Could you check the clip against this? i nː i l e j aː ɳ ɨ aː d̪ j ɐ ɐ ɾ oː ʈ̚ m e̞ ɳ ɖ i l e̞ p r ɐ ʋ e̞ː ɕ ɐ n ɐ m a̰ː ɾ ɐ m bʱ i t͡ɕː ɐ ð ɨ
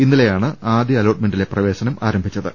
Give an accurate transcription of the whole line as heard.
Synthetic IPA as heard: i nː i l e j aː ɳ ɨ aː d̪ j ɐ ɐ l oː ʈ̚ m e̞ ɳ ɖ i l e̞ p r ɐ ʋ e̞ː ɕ ɐ n ɐ m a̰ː ɾ ɐ m bʱ i t͡ɕː ɐ ð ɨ